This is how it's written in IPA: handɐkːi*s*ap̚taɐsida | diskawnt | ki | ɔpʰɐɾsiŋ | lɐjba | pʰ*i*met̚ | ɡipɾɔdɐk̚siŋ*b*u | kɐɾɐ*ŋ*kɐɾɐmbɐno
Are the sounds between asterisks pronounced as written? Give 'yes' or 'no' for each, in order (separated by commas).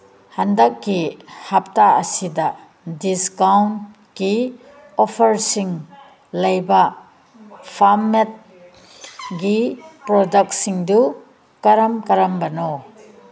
no, no, no, no